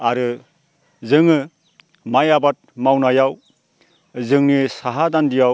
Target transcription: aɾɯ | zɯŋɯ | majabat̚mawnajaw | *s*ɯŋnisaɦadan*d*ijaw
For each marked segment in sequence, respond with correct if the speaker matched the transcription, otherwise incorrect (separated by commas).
incorrect, correct